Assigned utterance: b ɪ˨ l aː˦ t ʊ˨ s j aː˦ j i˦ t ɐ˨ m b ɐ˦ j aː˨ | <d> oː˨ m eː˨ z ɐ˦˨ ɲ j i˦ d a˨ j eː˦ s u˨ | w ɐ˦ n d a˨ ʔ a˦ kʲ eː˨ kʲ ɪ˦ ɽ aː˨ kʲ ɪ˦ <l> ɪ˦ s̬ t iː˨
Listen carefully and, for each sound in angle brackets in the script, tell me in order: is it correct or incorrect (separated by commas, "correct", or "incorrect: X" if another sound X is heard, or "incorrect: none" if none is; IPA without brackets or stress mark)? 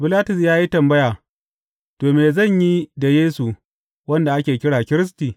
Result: incorrect: t, incorrect: ɾ